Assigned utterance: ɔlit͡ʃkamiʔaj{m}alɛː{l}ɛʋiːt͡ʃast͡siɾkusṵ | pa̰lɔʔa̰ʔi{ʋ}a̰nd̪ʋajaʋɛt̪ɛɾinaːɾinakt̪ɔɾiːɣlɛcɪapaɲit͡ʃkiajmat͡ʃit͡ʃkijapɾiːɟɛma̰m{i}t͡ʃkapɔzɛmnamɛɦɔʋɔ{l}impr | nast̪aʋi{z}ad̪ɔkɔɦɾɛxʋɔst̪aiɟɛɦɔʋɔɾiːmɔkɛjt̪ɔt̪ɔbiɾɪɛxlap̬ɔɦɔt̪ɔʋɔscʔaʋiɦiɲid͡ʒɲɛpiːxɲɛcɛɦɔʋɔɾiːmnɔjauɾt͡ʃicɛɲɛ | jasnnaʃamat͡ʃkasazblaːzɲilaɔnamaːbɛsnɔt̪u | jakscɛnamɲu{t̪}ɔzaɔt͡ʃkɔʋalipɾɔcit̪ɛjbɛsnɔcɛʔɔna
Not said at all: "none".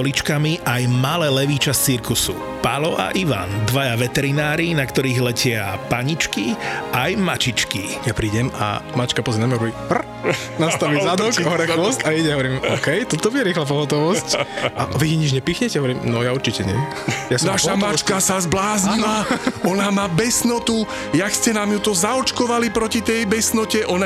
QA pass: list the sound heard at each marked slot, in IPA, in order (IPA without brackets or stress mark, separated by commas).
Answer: m, l, ʋ, a, ɾ, z, t̪